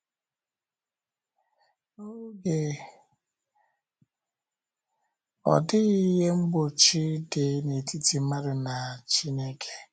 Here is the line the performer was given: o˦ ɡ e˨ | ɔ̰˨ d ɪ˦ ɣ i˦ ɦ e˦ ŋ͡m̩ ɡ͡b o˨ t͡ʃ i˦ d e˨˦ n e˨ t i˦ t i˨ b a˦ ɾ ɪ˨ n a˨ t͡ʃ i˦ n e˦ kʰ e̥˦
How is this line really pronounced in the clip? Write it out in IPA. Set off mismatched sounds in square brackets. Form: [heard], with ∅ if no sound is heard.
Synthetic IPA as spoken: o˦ ɡ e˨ | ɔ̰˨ d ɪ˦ ɣ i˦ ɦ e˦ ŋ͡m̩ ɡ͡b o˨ t͡ʃ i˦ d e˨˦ n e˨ t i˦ t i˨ [m] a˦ ɾ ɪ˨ n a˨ t͡ʃ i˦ n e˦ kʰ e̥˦